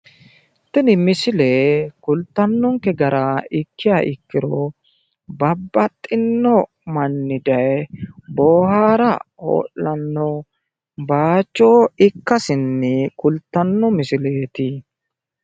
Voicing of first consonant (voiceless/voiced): voiceless